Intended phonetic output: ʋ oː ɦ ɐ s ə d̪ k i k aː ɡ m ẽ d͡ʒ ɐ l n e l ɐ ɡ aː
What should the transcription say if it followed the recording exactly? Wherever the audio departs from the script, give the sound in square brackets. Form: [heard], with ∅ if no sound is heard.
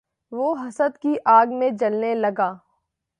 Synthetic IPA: ʋ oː ɦ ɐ s ə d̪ k i [ʔ] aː ɡ m ẽ d͡ʒ ɐ l n e l ɐ ɡ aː

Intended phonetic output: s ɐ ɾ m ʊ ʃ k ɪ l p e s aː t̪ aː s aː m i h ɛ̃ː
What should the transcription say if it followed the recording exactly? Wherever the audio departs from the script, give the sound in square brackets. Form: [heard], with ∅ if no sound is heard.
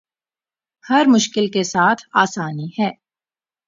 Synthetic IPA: [h] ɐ ɾ m ʊ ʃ k ɪ l [k] e s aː [t̪ʰ] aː s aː [n] i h [ɛː]

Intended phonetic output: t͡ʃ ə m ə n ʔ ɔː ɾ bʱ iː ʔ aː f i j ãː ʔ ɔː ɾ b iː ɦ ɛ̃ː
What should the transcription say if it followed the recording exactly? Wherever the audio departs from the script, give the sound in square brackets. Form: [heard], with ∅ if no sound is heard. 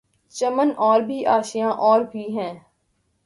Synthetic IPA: t͡ʃ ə m ə n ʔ ɔː ɾ bʱ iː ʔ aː [ʃ] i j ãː ʔ ɔː ɾ b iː ɦ ɛ̃ː

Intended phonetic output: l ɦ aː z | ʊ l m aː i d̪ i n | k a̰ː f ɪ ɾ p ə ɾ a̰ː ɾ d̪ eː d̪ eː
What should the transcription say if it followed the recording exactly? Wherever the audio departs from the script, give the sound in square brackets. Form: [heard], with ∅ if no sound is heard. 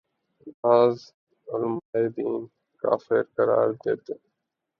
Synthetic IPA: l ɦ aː z | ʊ l m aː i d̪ [iː] n | k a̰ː f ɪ ɾ [k] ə ɾ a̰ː ɾ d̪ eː [t̪] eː

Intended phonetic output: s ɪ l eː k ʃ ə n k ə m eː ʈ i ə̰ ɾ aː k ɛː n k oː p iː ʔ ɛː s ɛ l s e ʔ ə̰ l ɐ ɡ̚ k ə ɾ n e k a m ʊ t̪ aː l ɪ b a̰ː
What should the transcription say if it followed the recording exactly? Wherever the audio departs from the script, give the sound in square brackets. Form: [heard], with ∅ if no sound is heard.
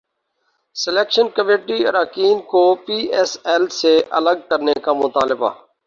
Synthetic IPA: s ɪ l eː k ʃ ə n k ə m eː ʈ i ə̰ ɾ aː k [iː] n k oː p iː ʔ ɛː s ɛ l s e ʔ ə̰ l [ə] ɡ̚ k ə ɾ n e k a m ʊ t̪ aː l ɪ b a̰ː

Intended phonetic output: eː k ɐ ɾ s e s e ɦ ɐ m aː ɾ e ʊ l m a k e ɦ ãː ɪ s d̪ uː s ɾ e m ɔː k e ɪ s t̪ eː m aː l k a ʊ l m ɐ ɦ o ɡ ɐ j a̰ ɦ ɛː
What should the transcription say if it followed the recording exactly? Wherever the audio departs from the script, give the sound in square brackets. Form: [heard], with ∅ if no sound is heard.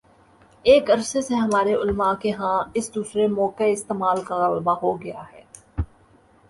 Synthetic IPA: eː k ɐ ɾ s e s e ɦ ɐ m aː ɾ e ʊ l m a k e ɦ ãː ɪ s d̪ uː s ɾ e m ɔː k e ɪ s t̪ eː m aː l k a ʊ l m [a] ɦ o ɡ ɐ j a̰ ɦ ɛː

